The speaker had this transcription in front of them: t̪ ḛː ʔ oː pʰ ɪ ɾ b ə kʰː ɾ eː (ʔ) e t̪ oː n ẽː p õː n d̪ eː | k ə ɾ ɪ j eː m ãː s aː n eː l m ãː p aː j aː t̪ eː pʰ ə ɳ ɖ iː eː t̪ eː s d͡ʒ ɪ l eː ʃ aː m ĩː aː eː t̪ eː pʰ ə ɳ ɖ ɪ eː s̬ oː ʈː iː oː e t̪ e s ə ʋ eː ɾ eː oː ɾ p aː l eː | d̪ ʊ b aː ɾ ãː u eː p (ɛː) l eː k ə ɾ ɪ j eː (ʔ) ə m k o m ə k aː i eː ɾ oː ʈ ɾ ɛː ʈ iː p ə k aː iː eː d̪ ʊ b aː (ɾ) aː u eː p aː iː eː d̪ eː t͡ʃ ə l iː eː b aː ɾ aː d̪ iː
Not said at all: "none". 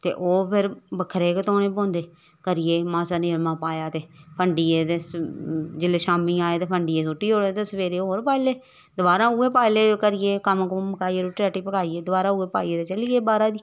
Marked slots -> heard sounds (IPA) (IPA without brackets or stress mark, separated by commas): k, aː, k, ɾ